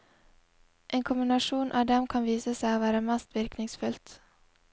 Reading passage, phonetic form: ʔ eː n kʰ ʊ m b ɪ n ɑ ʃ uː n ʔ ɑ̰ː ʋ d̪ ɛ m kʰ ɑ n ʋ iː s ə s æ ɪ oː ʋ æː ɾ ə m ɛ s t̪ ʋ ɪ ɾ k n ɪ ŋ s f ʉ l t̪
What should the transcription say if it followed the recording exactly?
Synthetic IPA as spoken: ʔ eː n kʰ ʊ m b ɪ n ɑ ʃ uː n ʔ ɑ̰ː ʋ d̪ ɛ m kʰ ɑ n ʋ iː s ə s æ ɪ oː ʋ æː ɾ ə m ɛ s t̪ ʋ ɪ ɾ k n ɪ ŋ s f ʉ l t̪